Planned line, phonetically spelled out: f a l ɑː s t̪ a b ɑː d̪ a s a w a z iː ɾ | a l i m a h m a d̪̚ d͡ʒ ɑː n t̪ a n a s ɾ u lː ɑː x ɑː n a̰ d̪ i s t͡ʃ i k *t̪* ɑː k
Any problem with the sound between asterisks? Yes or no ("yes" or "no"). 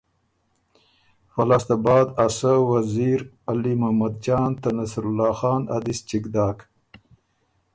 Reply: yes